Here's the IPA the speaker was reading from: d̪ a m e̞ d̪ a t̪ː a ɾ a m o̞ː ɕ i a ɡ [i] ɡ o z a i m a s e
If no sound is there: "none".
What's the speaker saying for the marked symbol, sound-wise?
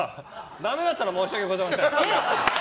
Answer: e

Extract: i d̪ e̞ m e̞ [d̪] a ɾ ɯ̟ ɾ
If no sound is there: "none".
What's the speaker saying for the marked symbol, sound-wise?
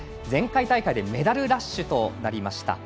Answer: d̪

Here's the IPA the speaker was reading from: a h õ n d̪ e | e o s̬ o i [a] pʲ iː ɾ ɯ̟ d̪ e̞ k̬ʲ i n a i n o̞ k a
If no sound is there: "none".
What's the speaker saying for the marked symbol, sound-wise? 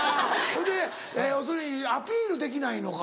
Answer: a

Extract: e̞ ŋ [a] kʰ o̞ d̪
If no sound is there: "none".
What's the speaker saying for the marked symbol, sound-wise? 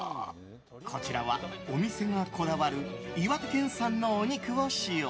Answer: a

